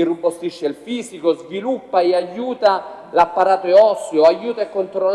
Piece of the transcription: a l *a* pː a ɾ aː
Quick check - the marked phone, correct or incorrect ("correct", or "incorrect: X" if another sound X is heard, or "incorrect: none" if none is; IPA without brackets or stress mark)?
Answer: correct